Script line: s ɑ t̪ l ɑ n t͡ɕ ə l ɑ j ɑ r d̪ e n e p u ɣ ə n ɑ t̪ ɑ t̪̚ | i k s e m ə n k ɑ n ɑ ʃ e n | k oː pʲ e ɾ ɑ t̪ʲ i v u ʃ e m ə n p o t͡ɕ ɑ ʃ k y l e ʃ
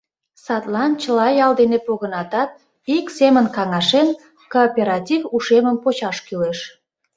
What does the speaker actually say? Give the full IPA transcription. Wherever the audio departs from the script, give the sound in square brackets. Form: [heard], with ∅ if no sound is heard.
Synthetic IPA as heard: s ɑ t̪ l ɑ n t͡ɕ ə l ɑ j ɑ [l] d̪ e n e p [o] ɣ ə n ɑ t̪ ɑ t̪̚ | i k s e m ə n k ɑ [ŋ] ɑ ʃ e n | k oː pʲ e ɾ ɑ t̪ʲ i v u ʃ e m ə [m] p o t͡ɕ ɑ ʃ k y l e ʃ